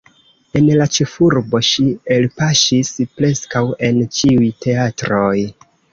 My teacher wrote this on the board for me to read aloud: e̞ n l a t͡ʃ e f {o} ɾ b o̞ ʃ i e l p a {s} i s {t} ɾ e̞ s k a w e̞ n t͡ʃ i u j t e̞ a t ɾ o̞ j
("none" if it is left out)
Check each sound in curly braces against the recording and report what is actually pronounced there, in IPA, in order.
u, ʃ, p

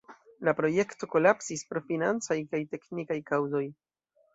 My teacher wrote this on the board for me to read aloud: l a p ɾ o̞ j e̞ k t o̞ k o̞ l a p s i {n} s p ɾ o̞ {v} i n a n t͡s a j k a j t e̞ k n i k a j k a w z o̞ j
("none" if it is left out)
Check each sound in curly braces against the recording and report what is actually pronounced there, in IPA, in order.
none, f

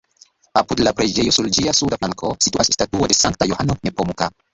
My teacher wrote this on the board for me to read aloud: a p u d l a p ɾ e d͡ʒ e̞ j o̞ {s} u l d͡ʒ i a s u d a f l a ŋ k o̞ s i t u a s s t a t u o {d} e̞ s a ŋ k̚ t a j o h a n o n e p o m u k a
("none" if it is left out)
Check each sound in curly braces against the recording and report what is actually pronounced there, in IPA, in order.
s, d

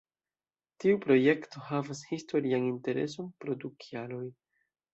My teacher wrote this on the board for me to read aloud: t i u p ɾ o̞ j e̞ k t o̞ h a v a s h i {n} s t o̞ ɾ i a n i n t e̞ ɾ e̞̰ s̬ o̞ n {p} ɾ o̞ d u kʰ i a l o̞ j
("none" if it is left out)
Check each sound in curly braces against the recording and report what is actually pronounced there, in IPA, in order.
none, p

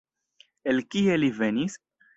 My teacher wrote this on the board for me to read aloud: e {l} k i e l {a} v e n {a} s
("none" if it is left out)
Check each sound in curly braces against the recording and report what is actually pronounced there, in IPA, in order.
l, i, i

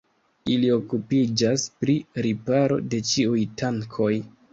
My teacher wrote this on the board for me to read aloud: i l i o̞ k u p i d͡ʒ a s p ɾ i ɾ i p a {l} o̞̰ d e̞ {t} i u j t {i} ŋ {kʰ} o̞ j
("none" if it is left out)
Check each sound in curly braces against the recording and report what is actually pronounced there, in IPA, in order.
ɾ, t͡ʃ, a, kʰ

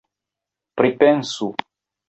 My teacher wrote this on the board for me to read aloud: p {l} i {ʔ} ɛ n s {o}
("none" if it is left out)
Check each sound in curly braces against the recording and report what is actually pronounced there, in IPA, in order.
ɾ, p, u

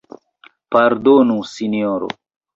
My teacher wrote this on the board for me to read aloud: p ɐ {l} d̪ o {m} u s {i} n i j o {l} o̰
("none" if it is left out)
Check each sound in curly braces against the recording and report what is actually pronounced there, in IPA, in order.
ɾ, n, i, ɾ

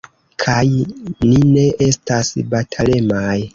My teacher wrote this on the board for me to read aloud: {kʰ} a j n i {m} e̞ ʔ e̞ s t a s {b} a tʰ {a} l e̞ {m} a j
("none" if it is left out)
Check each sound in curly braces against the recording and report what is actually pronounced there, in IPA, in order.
kʰ, n, b, a, m

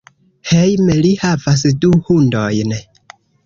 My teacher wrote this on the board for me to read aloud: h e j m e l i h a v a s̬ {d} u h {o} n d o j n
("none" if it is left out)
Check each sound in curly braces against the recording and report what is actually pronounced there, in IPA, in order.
d, u

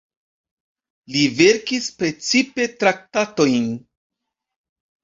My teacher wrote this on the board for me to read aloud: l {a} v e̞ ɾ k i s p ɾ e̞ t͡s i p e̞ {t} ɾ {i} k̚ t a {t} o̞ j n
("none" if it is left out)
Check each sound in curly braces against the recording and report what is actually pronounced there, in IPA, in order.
i, t, a, t

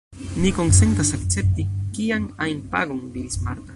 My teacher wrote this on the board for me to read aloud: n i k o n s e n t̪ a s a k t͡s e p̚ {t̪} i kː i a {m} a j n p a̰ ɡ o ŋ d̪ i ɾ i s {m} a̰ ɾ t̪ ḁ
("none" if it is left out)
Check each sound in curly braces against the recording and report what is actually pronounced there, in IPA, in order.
t̪, ŋ, m

